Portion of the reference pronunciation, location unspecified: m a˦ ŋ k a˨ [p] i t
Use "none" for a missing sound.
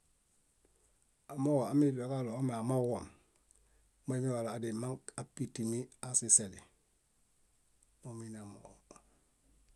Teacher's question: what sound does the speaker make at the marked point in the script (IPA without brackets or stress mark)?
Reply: p